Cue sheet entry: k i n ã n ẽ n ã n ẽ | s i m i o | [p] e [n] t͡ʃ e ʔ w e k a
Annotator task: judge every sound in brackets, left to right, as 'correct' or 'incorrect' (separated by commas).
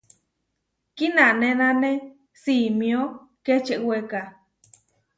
incorrect, incorrect